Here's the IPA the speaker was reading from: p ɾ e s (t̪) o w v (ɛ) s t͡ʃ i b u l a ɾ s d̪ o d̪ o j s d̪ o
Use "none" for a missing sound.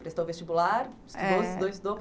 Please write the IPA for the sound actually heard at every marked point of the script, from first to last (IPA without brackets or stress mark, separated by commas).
t̪, e